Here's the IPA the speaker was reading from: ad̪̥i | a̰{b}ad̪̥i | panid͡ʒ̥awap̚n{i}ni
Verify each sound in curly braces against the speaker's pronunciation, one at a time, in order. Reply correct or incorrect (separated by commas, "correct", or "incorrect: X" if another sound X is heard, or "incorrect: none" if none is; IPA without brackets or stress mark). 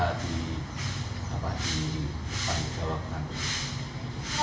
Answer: incorrect: p, incorrect: a